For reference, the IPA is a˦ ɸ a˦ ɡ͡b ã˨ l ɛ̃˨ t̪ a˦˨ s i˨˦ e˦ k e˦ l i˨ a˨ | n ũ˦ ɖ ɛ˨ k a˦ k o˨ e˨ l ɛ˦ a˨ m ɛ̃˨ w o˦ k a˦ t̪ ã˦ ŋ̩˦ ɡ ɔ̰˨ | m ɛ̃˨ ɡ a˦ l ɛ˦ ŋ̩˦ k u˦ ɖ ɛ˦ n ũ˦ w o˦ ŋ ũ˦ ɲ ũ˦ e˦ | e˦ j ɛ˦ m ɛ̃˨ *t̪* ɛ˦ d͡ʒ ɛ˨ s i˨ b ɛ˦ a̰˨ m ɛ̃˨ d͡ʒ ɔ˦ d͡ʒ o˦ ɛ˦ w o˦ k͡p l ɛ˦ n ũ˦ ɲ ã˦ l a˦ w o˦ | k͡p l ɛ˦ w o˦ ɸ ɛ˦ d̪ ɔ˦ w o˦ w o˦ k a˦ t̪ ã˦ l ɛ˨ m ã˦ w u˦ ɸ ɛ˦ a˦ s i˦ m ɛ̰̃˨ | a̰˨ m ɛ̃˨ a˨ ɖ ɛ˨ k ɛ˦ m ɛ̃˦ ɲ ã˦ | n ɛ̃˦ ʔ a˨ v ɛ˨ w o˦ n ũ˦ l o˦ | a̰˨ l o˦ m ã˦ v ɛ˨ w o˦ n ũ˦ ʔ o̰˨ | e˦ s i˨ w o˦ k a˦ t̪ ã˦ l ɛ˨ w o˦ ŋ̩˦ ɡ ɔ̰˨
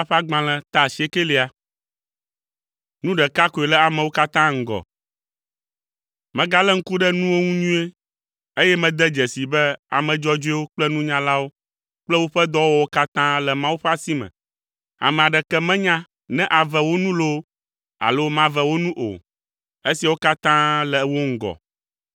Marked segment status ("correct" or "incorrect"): incorrect